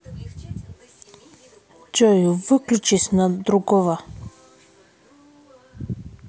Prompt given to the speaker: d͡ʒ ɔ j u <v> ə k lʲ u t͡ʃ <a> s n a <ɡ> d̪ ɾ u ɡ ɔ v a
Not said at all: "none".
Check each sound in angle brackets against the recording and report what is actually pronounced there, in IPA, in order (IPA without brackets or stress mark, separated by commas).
v, i, none